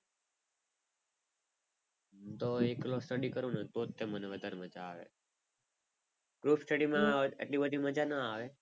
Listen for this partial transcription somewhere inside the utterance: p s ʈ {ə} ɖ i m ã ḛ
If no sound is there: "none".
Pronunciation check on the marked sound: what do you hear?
ə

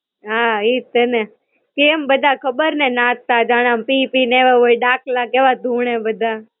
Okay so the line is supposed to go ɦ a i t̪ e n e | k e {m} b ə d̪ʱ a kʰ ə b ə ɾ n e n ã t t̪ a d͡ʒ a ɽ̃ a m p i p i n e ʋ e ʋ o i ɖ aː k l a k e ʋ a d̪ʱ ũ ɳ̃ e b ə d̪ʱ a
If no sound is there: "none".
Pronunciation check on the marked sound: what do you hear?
m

